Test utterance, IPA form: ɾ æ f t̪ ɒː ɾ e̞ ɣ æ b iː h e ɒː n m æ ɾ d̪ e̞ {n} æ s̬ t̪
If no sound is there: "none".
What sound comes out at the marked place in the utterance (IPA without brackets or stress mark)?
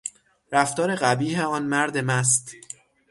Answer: m